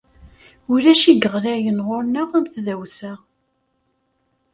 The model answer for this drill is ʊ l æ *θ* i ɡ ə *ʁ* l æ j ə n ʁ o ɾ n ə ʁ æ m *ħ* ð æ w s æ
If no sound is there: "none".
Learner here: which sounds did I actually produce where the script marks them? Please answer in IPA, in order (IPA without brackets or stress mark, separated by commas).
ʃ, ʁ, θ